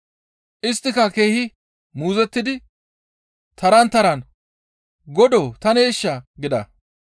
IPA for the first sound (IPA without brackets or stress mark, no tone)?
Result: ʔ